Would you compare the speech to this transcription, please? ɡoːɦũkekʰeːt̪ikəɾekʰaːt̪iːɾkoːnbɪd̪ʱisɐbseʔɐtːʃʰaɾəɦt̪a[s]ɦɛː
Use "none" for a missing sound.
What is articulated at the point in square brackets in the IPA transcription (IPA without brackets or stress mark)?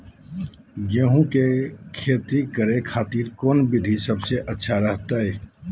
none